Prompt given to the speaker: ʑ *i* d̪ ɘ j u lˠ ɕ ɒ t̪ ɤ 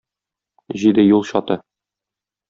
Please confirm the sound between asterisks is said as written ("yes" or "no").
yes